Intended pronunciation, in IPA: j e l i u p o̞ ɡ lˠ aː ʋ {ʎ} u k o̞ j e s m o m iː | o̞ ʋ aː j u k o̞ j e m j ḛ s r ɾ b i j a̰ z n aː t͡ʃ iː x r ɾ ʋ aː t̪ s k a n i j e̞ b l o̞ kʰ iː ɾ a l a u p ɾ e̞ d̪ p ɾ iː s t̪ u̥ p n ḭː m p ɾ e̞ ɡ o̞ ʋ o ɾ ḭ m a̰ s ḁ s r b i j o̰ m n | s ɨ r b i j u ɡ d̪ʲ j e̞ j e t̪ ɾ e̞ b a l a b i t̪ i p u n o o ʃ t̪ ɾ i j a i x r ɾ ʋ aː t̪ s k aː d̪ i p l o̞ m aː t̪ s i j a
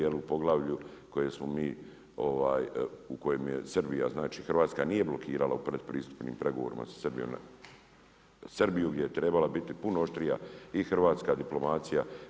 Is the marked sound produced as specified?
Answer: yes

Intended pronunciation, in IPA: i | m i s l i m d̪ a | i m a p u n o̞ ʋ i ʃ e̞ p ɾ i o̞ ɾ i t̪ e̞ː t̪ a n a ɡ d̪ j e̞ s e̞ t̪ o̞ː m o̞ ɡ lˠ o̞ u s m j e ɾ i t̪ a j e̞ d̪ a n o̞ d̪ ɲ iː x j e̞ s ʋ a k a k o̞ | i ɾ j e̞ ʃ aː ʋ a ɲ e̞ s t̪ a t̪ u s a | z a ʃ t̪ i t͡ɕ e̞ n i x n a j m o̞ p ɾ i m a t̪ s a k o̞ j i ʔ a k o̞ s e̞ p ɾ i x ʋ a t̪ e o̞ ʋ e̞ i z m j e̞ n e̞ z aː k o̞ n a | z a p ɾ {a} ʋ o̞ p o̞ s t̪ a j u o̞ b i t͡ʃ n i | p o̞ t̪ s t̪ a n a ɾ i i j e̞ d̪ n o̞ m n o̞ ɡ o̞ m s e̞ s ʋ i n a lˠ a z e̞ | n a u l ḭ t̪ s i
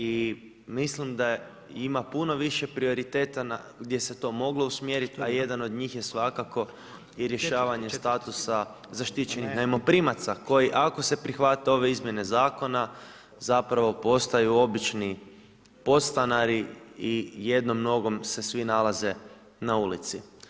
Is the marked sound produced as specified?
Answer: yes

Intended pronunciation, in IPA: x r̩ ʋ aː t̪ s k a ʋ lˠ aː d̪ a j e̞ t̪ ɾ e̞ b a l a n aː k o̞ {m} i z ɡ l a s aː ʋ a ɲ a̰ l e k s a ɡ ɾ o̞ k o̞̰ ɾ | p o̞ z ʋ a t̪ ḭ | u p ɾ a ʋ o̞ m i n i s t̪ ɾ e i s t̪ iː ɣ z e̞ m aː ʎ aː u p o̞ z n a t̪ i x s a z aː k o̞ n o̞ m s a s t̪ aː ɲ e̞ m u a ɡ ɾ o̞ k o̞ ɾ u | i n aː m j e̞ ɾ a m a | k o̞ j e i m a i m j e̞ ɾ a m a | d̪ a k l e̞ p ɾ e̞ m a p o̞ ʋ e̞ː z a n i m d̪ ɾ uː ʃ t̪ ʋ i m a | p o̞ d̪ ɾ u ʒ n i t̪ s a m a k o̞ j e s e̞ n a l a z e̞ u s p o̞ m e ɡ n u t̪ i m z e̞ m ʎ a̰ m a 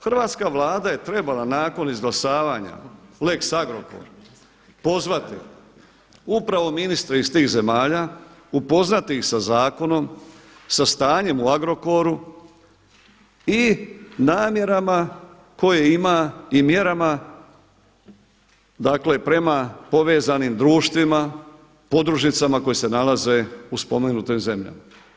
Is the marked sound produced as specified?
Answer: no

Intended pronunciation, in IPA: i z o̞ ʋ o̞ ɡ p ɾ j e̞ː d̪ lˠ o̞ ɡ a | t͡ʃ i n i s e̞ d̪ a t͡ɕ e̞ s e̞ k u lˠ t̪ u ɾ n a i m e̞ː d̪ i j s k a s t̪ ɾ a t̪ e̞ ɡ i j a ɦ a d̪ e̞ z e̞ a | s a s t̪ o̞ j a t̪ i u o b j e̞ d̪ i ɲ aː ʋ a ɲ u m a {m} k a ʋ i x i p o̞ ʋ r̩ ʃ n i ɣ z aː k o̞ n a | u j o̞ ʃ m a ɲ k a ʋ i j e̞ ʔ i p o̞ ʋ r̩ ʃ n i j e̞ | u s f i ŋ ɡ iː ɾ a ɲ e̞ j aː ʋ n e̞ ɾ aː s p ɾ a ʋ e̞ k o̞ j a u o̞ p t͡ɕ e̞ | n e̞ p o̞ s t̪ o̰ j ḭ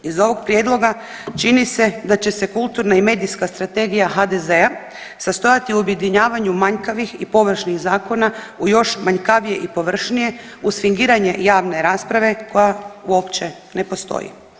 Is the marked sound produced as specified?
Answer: no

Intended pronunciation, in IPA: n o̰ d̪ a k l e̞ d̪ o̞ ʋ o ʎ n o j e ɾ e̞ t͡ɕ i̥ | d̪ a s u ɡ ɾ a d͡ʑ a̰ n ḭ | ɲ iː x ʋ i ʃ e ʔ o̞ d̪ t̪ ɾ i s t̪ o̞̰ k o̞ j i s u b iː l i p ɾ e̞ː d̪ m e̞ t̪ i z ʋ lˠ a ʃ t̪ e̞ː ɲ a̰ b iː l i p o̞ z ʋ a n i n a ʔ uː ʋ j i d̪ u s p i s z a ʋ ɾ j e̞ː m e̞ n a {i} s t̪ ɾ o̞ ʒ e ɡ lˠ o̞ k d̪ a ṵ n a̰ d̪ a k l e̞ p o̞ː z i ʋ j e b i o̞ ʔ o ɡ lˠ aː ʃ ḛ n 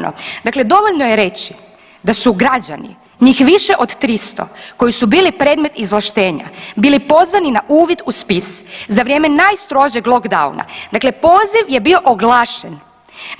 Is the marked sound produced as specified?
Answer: no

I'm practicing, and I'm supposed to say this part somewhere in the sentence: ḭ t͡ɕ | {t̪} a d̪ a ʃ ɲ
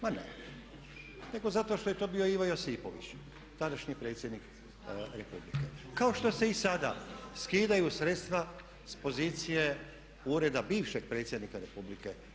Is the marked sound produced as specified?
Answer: yes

